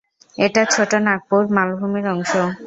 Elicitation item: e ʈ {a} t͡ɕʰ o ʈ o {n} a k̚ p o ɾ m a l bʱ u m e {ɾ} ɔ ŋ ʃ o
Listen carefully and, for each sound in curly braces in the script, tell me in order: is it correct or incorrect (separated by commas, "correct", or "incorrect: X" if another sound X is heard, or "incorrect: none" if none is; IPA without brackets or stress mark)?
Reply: correct, correct, correct